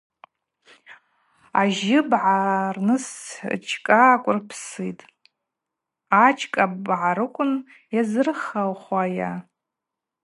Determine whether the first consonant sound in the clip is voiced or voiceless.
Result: voiced